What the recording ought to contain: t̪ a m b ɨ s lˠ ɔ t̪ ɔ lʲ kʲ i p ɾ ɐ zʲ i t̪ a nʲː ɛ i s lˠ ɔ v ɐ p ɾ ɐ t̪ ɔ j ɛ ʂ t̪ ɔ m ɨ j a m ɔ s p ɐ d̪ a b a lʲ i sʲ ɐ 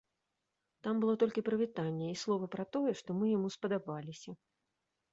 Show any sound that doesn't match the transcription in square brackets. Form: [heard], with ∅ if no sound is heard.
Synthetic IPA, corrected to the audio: t̪ a m b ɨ [∅] lˠ ɔ t̪ ɔ lʲ kʲ i p ɾ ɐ [vʲ] i t̪ a nʲː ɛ i s lˠ ɔ v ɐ p ɾ ɐ t̪ ɔ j ɛ ʂ t̪ ɔ m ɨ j a m [u] s p ɐ d̪ a b a lʲ i sʲ ɐ